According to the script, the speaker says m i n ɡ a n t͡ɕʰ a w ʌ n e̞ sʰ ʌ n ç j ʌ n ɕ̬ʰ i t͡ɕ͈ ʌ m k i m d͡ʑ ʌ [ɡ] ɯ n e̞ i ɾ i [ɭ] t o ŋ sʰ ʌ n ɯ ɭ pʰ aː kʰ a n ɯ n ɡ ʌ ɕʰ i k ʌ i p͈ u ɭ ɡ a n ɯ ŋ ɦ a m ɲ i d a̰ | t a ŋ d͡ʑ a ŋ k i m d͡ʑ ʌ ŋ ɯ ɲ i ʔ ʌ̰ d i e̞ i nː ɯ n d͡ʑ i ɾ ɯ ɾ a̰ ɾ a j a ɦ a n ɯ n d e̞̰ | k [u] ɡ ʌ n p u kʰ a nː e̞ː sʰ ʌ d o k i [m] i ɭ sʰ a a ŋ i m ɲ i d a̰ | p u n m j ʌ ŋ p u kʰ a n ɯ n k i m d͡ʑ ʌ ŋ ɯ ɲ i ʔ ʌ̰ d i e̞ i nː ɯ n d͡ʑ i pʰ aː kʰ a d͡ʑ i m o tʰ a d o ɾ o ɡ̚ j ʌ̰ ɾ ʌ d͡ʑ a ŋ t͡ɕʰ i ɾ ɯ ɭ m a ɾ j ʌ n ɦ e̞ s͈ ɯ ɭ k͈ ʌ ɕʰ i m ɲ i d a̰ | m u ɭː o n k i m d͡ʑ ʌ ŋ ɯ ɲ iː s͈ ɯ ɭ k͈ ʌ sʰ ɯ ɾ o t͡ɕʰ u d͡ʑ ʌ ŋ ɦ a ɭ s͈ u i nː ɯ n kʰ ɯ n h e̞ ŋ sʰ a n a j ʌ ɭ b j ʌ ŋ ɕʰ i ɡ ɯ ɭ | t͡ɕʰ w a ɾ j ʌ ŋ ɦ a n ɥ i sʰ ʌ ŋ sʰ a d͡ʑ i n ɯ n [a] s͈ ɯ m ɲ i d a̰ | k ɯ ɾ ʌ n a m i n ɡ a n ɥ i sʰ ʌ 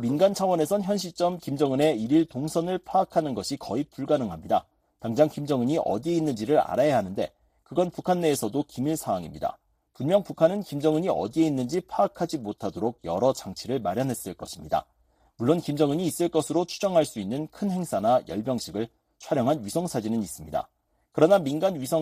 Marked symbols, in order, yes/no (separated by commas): no, yes, no, yes, no